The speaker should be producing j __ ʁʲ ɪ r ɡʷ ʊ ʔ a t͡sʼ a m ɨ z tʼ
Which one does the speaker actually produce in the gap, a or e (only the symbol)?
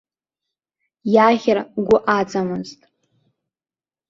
a